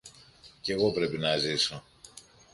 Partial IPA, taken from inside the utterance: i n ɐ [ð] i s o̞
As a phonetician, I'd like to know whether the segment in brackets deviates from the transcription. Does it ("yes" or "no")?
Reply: yes